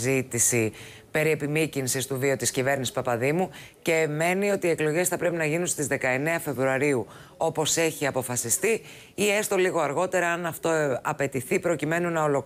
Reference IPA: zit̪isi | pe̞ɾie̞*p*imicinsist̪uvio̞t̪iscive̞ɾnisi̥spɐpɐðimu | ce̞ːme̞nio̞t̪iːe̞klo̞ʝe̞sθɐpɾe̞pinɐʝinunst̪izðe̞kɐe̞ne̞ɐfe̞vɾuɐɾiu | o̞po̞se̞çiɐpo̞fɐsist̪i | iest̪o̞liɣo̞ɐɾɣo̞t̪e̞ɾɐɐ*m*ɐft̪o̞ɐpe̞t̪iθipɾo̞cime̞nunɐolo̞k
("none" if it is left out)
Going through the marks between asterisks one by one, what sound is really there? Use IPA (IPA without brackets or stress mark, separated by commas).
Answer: p, n